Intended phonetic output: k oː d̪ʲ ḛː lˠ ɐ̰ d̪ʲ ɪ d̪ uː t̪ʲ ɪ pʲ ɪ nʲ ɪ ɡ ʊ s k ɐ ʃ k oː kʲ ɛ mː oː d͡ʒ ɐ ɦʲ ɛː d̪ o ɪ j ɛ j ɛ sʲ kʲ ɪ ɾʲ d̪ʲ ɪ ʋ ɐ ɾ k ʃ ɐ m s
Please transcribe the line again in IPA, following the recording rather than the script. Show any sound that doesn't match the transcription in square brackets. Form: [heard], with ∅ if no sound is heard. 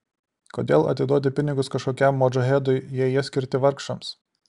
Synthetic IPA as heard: k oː d̪ʲ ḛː lˠ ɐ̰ [t̪ʲ] ɪ d̪ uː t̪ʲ ɪ pʲ ɪ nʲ ɪ ɡ ʊ s k ɐ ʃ k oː kʲ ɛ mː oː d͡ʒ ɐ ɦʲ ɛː d̪ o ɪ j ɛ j ɛ sʲ kʲ ɪ ɾʲ [t̪ʲ] ɪ ʋ ɐ ɾ k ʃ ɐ m s